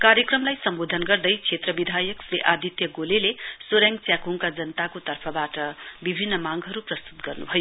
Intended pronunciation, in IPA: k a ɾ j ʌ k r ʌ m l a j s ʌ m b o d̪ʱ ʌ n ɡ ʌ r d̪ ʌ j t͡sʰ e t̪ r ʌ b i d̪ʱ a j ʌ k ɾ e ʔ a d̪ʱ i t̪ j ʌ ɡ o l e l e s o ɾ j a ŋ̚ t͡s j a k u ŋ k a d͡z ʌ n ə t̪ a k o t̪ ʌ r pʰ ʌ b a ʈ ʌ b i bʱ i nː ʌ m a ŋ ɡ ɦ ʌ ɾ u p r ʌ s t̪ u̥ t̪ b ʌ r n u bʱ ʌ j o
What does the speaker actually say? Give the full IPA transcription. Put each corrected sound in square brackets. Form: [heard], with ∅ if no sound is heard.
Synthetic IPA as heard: k a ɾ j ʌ k r ʌ m l a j s ʌ m b o d̪ʱ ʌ n ɡ ʌ r d̪ ʌ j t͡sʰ e t̪ r ʌ b i d̪ʱ a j ʌ k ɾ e ʔ a d̪ʱ i t̪ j ʌ ɡ o l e l e s o ɾ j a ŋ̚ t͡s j a k u ŋ k a d͡z ʌ n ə t̪ a k o t̪ ʌ r pʰ ʌ b a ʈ ʌ b i bʱ i nː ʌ m a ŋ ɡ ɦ ʌ ɾ u p r ʌ s t̪ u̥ t̪ [ɡ] ʌ r n u bʱ ʌ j o